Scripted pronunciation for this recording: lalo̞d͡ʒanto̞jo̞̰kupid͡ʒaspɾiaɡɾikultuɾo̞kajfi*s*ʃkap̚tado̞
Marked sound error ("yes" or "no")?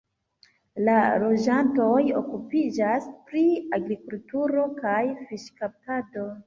yes